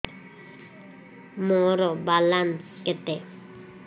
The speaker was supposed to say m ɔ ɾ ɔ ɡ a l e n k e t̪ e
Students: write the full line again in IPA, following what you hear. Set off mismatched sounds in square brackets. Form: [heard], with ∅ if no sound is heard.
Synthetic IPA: m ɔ ɾ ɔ [b] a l [a] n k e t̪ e